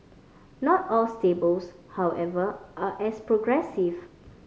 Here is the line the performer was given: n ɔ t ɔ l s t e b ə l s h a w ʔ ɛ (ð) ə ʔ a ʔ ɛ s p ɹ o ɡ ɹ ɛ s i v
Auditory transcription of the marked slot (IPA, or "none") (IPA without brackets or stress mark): v